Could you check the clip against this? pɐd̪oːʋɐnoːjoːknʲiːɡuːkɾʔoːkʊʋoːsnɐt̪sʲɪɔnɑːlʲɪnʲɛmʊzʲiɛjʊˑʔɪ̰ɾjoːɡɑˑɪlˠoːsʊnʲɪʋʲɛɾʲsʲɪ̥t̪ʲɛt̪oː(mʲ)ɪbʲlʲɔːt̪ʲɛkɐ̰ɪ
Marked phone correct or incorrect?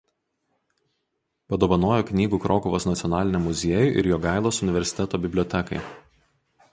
incorrect